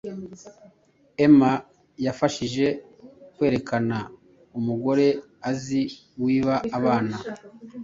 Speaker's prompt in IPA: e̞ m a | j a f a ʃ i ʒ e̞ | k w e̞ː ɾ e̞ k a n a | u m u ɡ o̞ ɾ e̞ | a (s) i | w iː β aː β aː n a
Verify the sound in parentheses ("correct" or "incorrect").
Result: incorrect